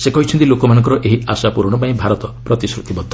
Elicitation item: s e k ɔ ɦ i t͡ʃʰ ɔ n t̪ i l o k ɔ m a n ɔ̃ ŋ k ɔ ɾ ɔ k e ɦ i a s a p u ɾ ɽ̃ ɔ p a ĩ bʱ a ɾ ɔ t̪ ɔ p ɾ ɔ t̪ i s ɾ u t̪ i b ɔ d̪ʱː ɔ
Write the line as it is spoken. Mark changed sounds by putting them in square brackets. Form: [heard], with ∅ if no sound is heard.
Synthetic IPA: s e k ɔ ɦ i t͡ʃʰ ɔ n t̪ i l o k ɔ m a n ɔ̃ ŋ k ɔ ɾ ɔ [ʔ] e ɦ i a s a p u ɾ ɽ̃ ɔ p a ĩ bʱ a ɾ ɔ t̪ ɔ p ɾ ɔ t̪ i s ɾ u t̪ i b ɔ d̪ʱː ɔ